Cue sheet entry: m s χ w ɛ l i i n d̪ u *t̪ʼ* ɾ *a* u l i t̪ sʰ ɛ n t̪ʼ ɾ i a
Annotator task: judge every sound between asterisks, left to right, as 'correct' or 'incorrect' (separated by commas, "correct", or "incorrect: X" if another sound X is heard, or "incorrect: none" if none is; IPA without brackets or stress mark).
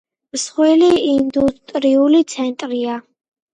correct, incorrect: i